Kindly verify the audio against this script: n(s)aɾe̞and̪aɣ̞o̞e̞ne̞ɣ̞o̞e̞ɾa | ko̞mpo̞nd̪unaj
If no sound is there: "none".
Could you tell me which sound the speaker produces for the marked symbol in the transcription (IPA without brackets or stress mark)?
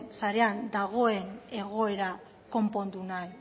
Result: s